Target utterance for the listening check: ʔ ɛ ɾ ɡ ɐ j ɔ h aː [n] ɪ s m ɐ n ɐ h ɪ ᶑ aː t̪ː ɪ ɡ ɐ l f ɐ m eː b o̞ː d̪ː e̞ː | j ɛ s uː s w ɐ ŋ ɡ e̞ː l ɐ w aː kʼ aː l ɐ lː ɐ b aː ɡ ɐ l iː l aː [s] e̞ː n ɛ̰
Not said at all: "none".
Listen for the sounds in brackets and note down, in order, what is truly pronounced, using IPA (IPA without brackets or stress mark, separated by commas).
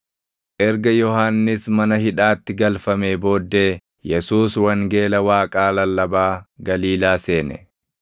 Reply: nː, s